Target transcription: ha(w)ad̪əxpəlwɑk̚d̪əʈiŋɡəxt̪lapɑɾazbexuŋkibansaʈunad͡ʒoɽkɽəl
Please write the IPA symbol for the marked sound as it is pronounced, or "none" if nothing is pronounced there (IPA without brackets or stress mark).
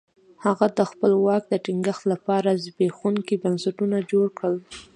ɣ